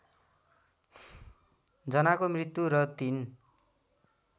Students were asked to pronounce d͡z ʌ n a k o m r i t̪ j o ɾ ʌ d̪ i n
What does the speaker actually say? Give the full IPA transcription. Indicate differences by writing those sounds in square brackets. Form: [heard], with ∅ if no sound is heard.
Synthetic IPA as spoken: d͡z ʌ n a k o m r i t̪ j [u] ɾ ʌ [t̪] i n